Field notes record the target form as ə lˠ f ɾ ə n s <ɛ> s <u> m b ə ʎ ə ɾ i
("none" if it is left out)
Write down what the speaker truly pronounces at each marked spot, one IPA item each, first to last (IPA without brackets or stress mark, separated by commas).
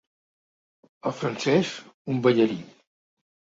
ɛ, u